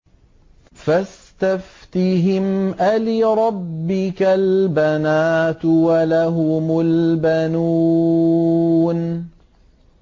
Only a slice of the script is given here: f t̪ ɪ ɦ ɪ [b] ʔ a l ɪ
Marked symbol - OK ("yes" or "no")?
no